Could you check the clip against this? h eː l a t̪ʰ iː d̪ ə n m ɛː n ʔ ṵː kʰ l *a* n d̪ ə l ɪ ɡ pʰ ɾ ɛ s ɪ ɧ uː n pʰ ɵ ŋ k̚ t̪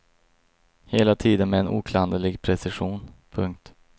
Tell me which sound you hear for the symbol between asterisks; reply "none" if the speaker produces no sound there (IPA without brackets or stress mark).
a